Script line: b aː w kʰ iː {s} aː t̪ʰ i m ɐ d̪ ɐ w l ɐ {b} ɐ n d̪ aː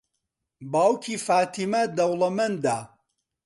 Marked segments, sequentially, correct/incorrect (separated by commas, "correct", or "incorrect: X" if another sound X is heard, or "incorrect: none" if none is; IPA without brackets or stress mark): incorrect: f, incorrect: m